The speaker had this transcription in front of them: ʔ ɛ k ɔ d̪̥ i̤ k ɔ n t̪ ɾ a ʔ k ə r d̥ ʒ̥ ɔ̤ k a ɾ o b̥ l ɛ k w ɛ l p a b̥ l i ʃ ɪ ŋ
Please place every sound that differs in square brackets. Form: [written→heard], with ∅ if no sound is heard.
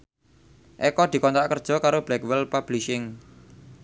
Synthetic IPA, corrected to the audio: ʔ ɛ k ɔ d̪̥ i̤ k ɔ n t̪ ɾ a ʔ k ə r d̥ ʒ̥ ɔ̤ k a ɾ o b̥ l ɛ k w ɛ l p a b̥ l i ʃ ɪ ŋ